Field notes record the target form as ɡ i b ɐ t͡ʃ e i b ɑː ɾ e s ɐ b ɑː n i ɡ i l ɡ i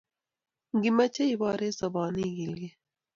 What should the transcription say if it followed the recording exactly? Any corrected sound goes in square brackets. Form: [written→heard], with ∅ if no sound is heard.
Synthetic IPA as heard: ɡ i [b→m] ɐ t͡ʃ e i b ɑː ɾ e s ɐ b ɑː n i ɡ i l ɡ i